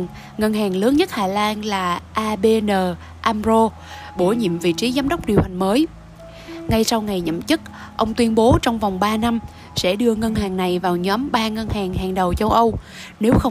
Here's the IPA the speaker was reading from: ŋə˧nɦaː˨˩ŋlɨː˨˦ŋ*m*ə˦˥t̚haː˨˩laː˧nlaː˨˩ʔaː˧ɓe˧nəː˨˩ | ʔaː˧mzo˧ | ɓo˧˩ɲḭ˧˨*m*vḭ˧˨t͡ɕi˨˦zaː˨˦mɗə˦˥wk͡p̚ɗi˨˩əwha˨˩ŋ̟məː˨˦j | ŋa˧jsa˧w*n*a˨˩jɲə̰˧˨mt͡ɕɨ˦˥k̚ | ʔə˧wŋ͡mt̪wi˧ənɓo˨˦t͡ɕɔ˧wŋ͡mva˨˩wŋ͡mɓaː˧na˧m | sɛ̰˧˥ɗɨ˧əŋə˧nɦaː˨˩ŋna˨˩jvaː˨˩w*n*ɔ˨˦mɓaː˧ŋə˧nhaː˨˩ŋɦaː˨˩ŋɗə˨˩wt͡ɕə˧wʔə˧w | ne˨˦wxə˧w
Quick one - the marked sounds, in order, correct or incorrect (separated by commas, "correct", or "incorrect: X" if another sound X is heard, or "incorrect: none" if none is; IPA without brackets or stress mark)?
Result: incorrect: ɲ, correct, incorrect: ŋ, incorrect: ɲ